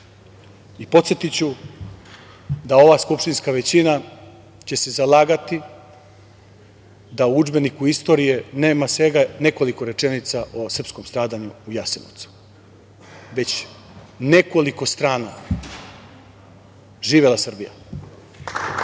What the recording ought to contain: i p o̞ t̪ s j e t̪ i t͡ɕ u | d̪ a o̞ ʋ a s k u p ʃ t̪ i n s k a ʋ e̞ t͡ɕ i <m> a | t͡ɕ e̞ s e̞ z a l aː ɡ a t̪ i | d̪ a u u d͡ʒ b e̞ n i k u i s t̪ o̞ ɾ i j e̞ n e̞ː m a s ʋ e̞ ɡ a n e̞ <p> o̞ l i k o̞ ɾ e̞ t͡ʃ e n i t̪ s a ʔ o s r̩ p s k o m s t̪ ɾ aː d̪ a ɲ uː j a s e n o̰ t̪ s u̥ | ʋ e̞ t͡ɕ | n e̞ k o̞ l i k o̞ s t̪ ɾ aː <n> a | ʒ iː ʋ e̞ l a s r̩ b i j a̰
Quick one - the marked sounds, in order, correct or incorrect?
incorrect: n, incorrect: k, correct

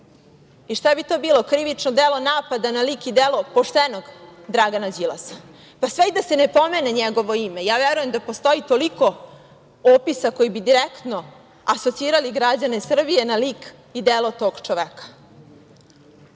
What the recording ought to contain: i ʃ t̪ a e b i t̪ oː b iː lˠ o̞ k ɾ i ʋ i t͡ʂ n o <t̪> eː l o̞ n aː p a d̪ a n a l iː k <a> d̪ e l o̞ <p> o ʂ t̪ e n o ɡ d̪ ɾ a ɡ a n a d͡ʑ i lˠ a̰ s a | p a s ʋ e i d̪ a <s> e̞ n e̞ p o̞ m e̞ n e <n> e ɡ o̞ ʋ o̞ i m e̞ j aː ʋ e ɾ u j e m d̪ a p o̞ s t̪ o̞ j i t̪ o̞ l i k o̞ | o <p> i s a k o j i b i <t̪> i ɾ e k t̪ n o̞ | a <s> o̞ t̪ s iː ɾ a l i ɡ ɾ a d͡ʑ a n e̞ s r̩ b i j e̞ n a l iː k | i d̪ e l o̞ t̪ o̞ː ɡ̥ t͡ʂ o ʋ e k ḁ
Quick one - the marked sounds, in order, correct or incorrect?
incorrect: d̪, incorrect: i, correct, correct, incorrect: ɲ, correct, incorrect: d̪, correct

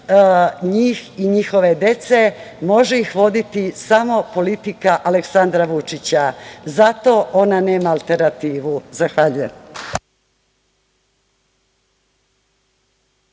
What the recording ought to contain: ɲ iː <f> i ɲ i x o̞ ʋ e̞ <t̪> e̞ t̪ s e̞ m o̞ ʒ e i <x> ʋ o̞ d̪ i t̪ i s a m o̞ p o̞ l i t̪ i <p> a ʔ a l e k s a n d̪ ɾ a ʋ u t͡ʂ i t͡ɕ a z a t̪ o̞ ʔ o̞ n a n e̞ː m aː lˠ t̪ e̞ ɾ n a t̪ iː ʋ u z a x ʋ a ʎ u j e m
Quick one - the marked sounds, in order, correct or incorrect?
incorrect: x, incorrect: d̪, correct, incorrect: k

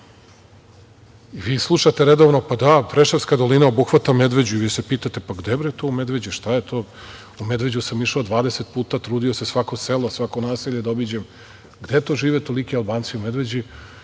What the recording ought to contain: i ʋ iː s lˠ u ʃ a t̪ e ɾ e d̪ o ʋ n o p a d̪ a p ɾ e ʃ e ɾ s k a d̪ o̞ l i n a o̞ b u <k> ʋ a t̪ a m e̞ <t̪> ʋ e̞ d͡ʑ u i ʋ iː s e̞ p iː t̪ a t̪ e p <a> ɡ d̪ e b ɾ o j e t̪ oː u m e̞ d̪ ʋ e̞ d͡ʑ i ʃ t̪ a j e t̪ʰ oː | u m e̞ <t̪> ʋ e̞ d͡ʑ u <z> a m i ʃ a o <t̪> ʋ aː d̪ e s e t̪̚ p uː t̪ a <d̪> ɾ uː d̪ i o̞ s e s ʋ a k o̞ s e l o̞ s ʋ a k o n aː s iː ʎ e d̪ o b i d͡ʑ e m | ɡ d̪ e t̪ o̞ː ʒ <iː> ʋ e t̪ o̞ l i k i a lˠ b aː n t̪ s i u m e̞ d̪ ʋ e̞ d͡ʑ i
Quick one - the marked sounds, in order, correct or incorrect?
incorrect: x, incorrect: d̪, correct, incorrect: d̪, incorrect: s, incorrect: d̪, incorrect: t̪, correct

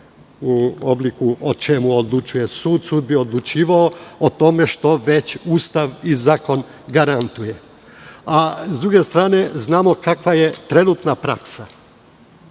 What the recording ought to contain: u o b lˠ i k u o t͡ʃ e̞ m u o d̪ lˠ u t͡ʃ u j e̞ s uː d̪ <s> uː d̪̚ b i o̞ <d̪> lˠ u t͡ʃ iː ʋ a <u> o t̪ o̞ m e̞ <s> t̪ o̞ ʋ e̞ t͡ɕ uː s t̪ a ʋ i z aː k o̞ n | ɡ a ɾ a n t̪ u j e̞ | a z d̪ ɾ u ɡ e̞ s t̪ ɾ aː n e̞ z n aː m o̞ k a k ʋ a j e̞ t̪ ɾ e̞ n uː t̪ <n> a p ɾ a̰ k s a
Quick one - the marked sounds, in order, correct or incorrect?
correct, correct, incorrect: o, incorrect: ʃ, correct

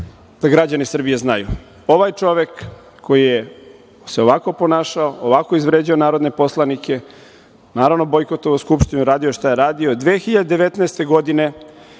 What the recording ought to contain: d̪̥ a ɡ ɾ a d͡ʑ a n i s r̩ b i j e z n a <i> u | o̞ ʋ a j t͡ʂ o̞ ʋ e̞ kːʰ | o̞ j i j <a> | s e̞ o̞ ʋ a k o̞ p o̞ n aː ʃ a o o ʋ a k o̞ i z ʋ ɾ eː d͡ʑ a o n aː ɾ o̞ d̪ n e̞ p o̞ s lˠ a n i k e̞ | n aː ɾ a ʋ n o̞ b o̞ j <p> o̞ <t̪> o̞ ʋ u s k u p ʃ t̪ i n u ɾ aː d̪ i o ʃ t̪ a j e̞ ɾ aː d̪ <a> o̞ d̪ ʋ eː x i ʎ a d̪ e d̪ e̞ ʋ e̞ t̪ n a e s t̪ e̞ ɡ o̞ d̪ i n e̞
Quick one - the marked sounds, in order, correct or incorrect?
incorrect: j, incorrect: e, incorrect: k, correct, incorrect: i

